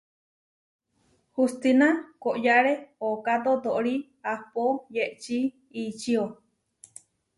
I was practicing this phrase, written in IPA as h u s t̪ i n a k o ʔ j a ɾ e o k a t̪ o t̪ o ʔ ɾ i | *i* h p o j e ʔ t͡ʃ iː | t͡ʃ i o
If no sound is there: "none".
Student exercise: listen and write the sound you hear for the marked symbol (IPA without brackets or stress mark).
a